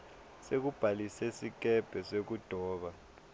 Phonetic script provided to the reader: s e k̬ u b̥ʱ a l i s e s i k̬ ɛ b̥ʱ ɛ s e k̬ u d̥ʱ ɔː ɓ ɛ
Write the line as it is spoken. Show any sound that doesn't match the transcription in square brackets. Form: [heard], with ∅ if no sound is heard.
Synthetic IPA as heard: s e k̬ u b̥ʱ a l i s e s i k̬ ɛ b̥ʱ ɛ s e k̬ u d̥ʱ ɔː ɓ [a]